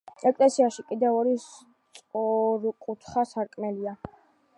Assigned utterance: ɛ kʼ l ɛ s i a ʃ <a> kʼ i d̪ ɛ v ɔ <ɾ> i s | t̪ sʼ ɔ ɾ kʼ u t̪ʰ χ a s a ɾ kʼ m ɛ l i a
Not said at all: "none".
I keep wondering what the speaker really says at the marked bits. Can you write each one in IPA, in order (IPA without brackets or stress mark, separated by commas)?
i, ɾ